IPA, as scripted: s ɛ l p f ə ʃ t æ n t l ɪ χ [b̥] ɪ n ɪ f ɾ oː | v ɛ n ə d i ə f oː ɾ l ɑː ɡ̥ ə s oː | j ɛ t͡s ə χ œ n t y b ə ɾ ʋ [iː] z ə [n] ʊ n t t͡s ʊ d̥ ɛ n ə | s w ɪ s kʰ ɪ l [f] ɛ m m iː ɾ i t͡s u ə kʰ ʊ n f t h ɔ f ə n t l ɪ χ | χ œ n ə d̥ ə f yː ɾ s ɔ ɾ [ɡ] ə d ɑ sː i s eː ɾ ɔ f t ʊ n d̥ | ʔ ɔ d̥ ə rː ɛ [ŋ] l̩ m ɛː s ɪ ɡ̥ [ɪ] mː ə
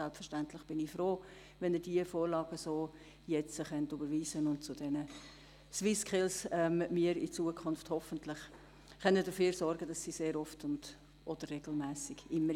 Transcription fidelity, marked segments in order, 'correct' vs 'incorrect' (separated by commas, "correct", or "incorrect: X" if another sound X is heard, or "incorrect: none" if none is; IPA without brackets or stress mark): correct, correct, correct, incorrect: s, correct, incorrect: ɡ, correct